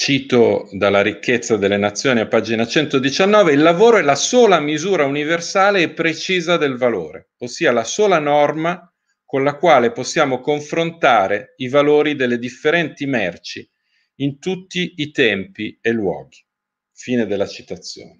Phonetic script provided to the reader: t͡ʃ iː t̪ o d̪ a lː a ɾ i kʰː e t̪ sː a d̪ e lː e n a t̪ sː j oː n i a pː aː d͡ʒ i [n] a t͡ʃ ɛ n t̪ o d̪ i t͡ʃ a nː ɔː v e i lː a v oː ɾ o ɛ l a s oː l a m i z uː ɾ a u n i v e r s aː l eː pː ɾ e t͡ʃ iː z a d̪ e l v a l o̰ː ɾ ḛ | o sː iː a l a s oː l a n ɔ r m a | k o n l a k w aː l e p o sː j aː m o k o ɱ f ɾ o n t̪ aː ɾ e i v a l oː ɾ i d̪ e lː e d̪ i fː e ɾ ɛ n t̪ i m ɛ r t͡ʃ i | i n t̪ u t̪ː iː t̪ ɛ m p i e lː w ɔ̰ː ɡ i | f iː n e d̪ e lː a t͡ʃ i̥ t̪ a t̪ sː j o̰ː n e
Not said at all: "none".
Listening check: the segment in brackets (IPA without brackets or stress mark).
n